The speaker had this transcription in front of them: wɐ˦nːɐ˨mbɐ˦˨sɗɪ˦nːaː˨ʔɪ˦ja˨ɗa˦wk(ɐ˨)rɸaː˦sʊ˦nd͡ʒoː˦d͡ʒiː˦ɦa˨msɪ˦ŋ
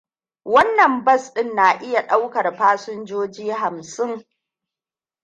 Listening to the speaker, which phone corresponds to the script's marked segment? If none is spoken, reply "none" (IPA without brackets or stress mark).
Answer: ɐ˨